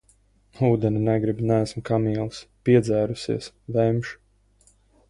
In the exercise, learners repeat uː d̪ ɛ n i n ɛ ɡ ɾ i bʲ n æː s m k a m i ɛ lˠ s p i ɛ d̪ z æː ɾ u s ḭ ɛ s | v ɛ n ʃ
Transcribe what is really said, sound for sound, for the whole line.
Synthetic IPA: uː d̪ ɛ n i n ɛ ɡ ɾ i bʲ n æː s m k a m i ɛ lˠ s p i ɛ d̪ z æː ɾ u s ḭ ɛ s | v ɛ m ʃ